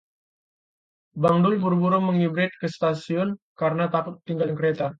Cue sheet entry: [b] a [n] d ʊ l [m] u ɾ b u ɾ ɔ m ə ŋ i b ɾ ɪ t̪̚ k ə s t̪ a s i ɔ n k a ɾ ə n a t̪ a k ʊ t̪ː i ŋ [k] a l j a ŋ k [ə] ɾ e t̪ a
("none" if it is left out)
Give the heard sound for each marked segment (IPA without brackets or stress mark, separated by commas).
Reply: b, ŋ, b, ɡ, ə